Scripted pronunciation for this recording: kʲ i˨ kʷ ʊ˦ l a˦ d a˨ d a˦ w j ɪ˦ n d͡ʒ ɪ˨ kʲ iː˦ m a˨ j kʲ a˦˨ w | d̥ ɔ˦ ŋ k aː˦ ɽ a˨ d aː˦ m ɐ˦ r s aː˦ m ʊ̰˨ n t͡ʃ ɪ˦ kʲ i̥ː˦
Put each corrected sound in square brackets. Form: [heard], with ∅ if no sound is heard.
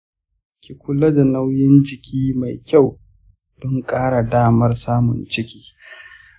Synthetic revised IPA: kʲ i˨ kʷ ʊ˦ l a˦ d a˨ [n] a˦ w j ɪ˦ n d͡ʒ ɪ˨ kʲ iː˦ m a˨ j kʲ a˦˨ w | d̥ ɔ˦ ŋ [kʼ] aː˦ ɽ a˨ d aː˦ m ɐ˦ r s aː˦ m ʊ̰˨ n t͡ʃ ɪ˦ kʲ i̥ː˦